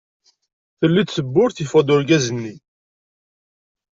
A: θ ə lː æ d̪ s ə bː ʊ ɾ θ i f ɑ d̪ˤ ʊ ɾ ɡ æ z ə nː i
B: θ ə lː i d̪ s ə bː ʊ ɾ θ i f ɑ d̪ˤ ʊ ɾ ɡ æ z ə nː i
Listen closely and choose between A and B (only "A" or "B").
B